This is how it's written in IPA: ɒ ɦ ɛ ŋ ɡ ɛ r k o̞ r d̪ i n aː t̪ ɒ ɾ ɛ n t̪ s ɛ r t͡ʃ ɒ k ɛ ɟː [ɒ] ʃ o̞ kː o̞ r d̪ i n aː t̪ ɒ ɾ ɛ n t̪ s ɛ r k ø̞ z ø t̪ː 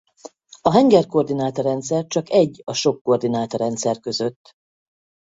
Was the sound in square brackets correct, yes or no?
yes